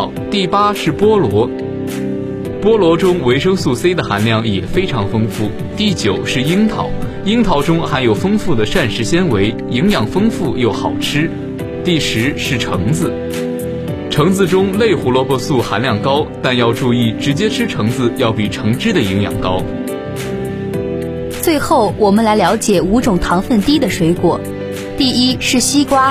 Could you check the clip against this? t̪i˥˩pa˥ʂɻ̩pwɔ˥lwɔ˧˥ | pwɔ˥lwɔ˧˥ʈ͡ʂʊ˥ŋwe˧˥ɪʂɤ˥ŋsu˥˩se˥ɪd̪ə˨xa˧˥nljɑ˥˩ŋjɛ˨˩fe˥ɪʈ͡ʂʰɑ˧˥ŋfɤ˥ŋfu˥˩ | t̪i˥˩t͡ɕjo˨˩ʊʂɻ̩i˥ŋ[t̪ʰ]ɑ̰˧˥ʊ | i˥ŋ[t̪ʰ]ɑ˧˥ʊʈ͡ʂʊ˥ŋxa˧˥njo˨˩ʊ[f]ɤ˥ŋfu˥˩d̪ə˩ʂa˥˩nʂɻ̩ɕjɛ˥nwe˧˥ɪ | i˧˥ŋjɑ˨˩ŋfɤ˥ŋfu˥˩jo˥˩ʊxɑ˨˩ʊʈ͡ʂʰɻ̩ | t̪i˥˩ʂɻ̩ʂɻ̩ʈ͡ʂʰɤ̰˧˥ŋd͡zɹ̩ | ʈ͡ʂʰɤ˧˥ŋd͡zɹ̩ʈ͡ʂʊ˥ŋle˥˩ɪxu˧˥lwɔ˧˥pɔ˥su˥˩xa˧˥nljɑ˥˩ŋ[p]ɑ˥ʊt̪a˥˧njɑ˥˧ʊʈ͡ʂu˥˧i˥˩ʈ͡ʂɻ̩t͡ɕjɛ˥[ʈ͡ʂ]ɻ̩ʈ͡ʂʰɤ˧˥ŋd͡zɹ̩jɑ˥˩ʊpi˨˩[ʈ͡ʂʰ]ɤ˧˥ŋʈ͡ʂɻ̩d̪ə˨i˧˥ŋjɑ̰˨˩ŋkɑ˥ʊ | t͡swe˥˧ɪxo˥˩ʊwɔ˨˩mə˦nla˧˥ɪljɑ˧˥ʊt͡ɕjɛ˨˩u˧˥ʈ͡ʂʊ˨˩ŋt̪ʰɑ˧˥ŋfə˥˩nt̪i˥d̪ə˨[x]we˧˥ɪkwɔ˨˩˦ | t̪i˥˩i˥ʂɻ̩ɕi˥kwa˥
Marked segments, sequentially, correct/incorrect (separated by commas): correct, correct, correct, incorrect, incorrect, correct, incorrect